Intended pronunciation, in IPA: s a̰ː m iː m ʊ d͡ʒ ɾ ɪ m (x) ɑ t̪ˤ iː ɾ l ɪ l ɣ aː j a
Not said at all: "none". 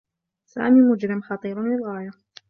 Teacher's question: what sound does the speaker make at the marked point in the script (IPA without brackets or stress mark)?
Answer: x